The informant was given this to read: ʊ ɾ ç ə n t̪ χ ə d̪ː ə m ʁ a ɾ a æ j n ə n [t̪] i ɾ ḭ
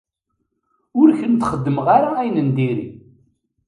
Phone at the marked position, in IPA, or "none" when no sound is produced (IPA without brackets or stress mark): d̪